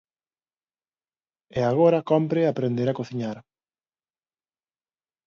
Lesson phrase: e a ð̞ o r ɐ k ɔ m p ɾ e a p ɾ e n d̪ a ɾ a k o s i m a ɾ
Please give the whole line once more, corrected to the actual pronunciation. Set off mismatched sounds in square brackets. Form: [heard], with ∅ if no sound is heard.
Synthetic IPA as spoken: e a [ɣ̞] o [ɾ] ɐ k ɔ m p ɾ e a p ɾ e n d̪ [e] ɾ a k o [θ] i [ɲ] a ɾ